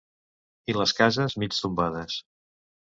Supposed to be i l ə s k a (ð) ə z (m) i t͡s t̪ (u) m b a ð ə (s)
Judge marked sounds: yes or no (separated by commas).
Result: no, yes, yes, yes